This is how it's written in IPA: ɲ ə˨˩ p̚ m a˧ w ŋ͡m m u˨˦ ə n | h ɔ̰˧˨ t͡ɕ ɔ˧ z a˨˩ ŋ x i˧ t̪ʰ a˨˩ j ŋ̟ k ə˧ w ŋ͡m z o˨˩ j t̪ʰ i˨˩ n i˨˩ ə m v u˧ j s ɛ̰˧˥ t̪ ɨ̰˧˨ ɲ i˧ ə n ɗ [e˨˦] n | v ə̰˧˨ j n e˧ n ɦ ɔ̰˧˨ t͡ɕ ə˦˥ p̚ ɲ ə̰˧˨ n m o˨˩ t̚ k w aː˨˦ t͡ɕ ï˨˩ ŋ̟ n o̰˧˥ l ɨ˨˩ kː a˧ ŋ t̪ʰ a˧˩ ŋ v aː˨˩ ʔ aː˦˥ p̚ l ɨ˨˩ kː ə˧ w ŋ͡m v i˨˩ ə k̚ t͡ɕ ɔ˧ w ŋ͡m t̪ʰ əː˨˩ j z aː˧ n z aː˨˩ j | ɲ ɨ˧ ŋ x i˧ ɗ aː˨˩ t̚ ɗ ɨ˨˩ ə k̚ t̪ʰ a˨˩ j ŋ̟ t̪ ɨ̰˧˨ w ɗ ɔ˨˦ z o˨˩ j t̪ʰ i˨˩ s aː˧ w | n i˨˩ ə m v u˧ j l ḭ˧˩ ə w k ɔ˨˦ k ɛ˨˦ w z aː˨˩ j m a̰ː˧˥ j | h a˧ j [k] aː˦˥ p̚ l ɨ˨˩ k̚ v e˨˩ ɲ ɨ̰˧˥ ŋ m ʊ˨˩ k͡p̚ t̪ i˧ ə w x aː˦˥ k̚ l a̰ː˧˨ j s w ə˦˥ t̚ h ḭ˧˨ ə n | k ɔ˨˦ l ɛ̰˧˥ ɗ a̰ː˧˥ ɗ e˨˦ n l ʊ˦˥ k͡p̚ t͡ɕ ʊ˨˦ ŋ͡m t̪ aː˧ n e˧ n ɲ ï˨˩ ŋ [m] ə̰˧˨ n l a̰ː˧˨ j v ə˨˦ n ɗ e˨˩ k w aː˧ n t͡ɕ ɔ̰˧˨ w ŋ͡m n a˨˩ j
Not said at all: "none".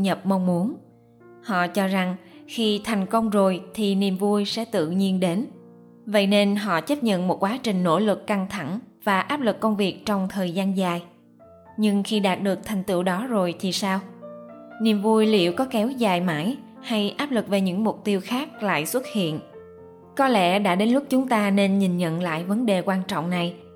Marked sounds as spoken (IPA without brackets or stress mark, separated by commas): e˨˦, ʔ, ɲ